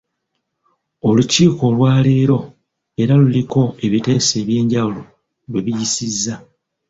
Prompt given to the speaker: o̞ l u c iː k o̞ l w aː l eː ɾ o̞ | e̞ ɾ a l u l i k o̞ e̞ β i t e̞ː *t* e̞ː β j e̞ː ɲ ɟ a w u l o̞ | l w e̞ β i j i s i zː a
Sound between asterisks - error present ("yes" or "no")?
yes